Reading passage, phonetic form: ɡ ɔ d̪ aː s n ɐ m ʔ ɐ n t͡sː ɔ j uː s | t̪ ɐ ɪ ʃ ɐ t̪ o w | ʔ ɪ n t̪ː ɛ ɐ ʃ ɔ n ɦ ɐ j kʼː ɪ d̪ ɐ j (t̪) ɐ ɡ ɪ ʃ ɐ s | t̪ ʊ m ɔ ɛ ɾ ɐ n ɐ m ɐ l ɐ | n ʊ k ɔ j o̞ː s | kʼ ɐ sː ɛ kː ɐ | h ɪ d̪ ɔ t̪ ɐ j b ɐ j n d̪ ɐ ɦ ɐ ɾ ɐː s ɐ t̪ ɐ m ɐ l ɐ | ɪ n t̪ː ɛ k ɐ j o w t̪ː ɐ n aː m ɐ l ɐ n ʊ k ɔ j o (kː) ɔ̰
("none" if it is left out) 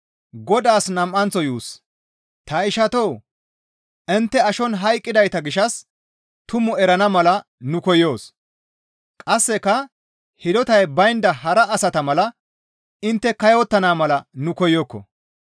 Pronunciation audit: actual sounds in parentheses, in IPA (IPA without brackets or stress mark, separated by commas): t̪, kː